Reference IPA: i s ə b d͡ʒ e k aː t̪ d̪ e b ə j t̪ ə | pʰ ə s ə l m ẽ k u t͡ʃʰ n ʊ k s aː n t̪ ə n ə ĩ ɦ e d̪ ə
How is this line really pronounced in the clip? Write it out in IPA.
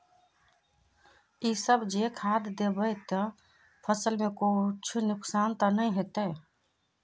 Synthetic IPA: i s ə b d͡ʒ e kʰ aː d̪ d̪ e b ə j t̪ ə | pʰ ə s ə l m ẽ k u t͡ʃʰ n ʊ k s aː n t̪ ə n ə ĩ ɦ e t̪ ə